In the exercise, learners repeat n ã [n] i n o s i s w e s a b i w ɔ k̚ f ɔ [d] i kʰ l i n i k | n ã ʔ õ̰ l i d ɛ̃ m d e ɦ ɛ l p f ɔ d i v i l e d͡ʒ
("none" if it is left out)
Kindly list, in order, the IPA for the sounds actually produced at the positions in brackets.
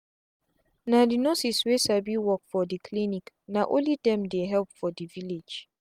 d, d

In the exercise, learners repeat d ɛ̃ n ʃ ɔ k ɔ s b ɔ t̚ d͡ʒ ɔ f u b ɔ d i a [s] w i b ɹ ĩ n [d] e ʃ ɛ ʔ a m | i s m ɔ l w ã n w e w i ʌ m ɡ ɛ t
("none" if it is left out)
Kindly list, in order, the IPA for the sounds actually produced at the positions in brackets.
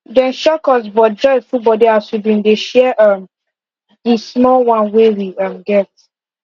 s, d

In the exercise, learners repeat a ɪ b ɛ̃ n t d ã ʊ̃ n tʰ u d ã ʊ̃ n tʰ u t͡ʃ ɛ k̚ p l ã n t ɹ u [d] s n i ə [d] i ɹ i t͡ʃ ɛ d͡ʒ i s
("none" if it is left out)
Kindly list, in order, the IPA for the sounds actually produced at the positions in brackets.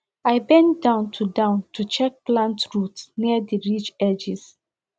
t, d

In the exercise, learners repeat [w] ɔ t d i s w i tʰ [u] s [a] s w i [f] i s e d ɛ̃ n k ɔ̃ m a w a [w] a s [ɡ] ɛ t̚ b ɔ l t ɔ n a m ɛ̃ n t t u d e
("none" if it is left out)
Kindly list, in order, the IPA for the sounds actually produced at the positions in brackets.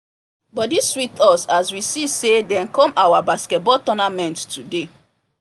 b, ɔ, a, s, b, k

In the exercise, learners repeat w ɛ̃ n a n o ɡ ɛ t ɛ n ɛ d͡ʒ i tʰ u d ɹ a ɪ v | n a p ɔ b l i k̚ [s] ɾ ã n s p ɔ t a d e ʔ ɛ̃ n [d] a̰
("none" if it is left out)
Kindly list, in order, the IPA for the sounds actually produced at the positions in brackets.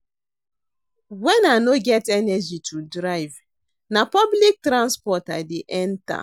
t, t

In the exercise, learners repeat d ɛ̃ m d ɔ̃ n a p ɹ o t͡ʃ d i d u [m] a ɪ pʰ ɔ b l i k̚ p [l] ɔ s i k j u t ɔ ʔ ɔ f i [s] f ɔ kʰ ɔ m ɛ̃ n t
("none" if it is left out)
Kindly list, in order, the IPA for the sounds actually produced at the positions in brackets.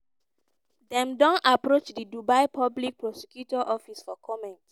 b, ɹ, s

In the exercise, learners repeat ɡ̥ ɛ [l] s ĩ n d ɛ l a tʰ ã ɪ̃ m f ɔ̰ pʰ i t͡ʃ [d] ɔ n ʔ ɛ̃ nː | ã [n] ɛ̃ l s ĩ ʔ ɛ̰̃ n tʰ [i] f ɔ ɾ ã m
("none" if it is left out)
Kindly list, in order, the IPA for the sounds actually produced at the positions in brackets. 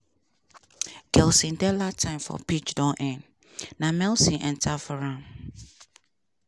l, d, m, a

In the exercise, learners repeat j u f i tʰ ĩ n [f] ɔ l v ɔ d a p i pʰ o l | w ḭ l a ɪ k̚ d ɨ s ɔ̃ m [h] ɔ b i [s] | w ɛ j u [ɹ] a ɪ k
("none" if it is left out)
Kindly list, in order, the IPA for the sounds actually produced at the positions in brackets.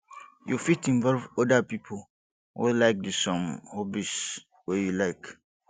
v, h, s, l

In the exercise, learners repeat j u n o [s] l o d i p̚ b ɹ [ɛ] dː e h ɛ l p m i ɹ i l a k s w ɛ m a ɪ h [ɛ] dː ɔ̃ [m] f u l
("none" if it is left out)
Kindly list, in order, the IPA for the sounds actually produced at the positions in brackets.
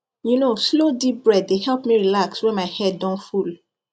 s, ɛ, ɛ, n

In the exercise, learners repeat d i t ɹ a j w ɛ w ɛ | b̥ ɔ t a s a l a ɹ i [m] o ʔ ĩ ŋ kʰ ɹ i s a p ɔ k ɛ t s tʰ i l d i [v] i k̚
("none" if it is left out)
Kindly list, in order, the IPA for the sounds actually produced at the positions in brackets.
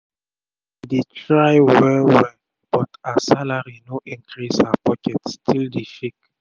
n, f

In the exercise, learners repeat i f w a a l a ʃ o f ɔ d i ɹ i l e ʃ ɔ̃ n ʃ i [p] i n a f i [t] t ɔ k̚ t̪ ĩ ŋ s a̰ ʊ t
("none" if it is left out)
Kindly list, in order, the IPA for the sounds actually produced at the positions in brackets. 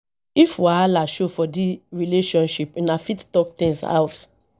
p, t

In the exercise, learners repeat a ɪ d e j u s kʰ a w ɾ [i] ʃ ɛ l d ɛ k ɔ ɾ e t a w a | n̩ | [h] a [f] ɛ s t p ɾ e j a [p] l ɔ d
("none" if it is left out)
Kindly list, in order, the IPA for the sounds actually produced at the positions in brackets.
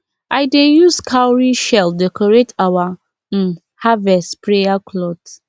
i, h, v, k

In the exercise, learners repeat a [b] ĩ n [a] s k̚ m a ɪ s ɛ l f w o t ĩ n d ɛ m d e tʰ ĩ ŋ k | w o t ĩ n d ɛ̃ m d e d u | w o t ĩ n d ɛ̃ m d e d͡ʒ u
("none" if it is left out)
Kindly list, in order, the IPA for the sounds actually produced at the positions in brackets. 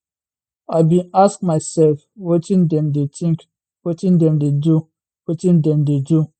b, a

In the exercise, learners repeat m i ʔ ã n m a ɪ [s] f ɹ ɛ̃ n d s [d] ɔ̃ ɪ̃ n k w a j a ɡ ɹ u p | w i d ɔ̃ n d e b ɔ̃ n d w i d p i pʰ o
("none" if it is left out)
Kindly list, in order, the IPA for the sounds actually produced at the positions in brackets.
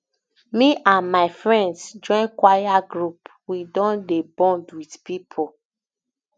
none, d͡ʒ

